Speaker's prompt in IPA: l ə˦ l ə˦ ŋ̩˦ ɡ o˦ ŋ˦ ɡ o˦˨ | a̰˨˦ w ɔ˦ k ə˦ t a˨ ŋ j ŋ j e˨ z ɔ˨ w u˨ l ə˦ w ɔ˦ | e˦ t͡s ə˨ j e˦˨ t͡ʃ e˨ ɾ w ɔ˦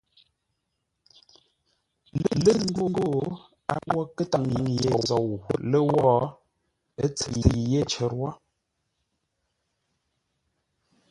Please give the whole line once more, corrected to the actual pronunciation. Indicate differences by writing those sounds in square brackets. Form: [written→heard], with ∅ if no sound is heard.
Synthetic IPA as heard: l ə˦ l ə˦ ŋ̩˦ ɡ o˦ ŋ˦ ɡ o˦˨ | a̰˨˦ w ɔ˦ k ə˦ t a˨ ŋ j ŋ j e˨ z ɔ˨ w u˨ l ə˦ w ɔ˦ | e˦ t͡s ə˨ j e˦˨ t͡ʃ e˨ ɾ w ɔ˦